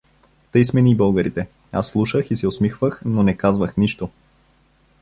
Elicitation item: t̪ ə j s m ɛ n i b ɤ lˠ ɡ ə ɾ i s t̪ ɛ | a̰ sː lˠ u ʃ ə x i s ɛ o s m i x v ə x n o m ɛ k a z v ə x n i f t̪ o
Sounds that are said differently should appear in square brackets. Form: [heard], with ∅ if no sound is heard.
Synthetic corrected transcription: t̪ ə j s m ɛ n i b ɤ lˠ ɡ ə ɾ i [∅] t̪ ɛ | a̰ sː lˠ u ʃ ə x i s ɛ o s m i x v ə x n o [n] ɛ k a z v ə x n i [ʃ] t̪ o